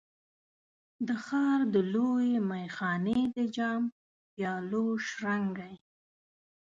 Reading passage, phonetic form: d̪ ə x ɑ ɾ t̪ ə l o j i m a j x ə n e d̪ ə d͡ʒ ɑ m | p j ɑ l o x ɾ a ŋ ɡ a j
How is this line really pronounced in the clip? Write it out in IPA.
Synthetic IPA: d̪ ə x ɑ ɾ d̪ ə l o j e m a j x ɑ n e d̪ ə d͡ʒ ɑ m | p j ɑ l o ʃ ɾ a ŋ ɡ a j